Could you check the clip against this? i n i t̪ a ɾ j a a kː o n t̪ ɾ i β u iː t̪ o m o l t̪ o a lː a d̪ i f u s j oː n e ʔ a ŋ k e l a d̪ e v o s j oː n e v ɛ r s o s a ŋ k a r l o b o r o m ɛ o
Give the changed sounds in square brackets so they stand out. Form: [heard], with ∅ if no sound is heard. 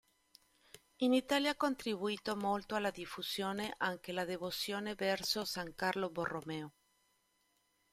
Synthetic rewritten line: i n i t̪ a [l] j a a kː o n t̪ ɾ i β u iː t̪ o m o l t̪ o a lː a d̪ i f u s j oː n e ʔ a ŋ k e l a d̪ e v o s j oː n e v ɛ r s o s a ŋ k a r l o b o r o m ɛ o

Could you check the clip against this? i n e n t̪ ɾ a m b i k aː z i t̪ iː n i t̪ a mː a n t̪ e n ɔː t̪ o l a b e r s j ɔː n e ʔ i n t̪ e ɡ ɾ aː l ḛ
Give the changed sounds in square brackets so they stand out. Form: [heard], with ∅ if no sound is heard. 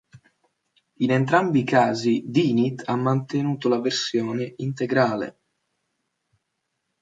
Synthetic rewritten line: i n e n t̪ ɾ a m b i k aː z i [d̪] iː n i t̪ a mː a n t̪ e n [uː] t̪ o l a [v] e r s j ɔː n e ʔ i n t̪ e ɡ ɾ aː l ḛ

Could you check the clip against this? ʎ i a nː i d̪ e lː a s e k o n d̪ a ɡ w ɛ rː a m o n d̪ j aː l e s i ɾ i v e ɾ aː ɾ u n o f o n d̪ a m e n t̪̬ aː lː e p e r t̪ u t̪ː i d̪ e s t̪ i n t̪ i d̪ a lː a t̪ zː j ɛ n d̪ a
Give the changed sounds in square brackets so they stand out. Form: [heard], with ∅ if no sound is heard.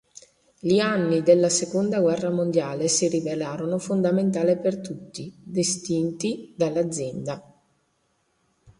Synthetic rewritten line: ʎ i a nː i d̪ e lː a s e k o n d̪ a ɡ w ɛ rː a m o n d̪ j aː l e s i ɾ i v e [l] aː ɾ [o] n o f o n d̪ a m e n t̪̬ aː [l] e p e r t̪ u t̪ː i d̪ e s t̪ i n t̪ i d̪ a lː a [d̪] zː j ɛ n d̪ a

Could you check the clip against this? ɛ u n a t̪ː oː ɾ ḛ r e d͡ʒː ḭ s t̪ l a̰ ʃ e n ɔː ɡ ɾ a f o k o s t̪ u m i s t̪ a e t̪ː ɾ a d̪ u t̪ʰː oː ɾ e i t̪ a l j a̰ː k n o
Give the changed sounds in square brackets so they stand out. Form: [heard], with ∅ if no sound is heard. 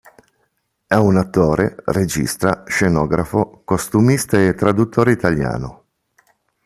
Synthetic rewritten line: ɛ u n a t̪ː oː ɾ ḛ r e [d͡ʒ] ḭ s t̪ [ɾ] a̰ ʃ e n ɔː ɡ ɾ a f o k o s t̪ u m i s t̪ a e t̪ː ɾ a d̪ u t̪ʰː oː ɾ e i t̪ a l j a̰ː [∅] n o

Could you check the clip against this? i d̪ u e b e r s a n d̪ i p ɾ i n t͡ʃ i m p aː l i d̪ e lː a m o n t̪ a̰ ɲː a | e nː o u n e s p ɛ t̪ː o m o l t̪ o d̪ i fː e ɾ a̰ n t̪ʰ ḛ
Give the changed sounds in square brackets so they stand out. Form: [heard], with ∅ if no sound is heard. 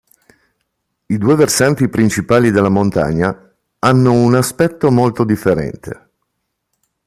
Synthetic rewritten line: i d̪ u e [v] e r s a n [t̪] i p ɾ i n t͡ʃ i [∅] p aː l i d̪ e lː a m o n t̪ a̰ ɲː a | [a] nː o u n [a] s p ɛ t̪ː o m o l t̪ o d̪ i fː e ɾ [ɛ̰] n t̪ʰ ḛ

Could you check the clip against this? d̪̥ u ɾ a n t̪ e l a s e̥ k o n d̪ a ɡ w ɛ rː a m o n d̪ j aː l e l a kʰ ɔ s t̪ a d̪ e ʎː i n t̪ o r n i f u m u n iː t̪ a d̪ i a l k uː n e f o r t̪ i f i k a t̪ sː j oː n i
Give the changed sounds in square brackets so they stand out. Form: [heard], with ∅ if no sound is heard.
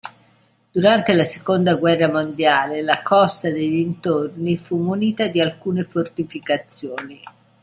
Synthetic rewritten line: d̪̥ u ɾ a n t̪ e l a s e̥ k o n d̪ a ɡ w ɛ rː a m o n d̪ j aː l e l a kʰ ɔ s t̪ a d̪ e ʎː i n t̪ o r n i f u m u n iː t̪ a d̪ i a l k uː n e f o r t̪ i f i k a t̪ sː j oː n i

